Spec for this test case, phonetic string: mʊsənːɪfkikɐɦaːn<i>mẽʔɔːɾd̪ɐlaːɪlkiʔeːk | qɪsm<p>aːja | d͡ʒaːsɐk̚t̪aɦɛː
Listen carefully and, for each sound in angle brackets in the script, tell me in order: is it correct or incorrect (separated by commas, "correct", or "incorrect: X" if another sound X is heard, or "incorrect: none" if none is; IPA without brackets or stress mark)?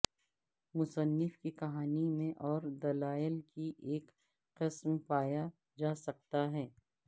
correct, correct